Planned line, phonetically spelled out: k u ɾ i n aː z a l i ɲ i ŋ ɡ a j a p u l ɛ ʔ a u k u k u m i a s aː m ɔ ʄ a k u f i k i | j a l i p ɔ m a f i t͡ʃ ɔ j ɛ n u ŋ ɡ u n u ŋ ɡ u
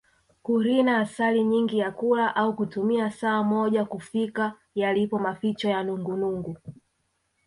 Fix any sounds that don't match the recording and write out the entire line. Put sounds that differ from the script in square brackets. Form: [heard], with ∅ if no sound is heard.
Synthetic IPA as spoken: k u ɾ i n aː [s] a l i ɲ i ŋ ɡ [i] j a [k] u l [a] ʔ a u k u [t] u m i a s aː m ɔ ʄ a k u f i k [a] | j a l i p ɔ m a f i t͡ʃ ɔ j [a] n u ŋ ɡ u n u ŋ ɡ u